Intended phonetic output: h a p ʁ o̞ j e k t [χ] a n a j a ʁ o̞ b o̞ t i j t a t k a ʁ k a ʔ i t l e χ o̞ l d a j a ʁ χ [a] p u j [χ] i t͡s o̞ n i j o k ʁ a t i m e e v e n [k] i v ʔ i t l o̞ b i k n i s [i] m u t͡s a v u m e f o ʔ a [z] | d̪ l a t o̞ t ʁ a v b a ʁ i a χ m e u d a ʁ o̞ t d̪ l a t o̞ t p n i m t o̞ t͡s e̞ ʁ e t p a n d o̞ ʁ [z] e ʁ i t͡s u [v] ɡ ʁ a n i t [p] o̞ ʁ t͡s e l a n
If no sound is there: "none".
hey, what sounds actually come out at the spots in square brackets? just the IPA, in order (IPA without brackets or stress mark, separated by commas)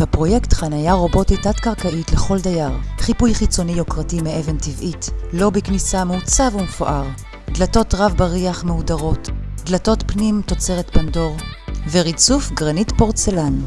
χ, i, χ, t, a, ʁ, v, f, p